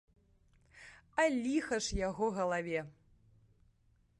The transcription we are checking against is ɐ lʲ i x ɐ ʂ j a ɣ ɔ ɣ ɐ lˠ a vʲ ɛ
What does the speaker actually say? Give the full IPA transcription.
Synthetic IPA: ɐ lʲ i x ɐ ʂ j a ɣ ɔ ɣ ɐ lˠ a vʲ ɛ